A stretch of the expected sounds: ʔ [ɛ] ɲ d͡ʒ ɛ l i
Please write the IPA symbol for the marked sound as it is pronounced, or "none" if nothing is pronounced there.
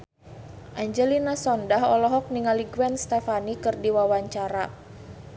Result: a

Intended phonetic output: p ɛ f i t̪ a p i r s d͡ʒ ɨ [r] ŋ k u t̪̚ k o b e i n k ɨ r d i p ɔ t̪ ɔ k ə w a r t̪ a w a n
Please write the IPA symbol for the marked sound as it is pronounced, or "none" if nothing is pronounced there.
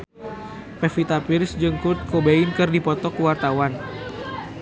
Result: none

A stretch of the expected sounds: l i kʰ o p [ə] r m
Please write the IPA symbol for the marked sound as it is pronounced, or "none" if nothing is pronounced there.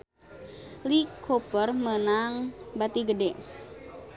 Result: ə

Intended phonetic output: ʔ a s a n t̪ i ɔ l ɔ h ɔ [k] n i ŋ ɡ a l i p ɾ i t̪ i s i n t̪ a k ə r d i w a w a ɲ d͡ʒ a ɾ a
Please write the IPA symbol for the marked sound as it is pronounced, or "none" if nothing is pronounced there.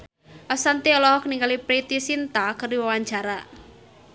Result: k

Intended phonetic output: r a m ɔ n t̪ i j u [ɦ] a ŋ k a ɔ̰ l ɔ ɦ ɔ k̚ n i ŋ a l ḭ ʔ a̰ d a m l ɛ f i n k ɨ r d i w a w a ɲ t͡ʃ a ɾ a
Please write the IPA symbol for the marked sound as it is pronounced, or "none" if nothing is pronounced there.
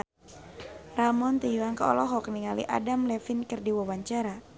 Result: none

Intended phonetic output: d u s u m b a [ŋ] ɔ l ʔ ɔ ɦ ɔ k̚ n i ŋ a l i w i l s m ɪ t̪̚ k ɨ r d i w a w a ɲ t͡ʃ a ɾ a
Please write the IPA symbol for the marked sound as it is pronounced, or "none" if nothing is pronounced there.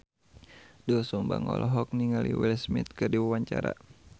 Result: ŋ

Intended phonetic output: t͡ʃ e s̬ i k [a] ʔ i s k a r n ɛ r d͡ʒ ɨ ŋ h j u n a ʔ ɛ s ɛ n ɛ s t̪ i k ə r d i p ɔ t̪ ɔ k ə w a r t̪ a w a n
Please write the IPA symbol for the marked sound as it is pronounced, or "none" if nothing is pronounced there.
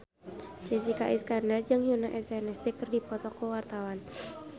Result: a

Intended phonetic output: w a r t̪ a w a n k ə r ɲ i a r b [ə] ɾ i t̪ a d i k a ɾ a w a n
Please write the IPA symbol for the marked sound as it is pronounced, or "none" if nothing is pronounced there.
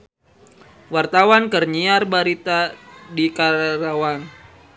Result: a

